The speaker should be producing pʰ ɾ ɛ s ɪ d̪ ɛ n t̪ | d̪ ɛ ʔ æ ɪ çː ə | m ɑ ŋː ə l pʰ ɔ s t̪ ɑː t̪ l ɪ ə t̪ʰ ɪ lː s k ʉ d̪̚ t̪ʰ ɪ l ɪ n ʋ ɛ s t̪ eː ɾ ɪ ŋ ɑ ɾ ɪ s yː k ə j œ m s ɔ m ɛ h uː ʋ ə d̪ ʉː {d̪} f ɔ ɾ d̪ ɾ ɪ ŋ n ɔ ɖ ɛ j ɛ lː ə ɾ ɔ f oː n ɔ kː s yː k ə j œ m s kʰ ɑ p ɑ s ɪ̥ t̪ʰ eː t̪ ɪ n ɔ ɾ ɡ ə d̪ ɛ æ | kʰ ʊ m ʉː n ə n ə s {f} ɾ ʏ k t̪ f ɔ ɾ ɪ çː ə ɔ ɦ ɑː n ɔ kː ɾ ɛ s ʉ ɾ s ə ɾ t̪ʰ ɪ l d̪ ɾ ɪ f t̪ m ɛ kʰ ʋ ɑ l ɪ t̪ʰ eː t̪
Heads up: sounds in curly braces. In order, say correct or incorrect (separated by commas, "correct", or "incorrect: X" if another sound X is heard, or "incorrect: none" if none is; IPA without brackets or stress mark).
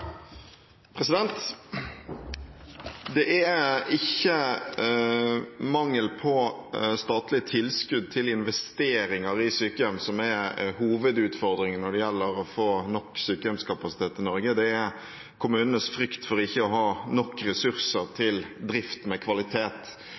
incorrect: t̪, correct